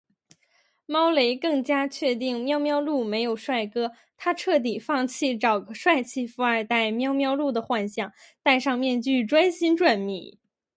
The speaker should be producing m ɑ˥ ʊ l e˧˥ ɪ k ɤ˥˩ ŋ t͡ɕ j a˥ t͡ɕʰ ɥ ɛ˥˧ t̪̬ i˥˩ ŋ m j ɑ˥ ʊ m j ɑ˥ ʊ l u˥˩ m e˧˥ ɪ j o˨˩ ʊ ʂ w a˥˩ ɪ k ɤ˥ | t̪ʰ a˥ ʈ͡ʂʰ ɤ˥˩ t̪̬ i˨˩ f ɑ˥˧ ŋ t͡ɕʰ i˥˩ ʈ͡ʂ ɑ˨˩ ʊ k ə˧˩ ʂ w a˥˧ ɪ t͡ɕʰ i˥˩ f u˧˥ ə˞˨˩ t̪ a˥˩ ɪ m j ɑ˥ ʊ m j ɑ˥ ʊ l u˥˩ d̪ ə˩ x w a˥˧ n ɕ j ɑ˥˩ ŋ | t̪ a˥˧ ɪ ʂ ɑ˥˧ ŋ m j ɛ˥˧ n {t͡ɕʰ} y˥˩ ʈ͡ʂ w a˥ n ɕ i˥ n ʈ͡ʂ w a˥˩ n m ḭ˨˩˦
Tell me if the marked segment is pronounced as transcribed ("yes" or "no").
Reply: no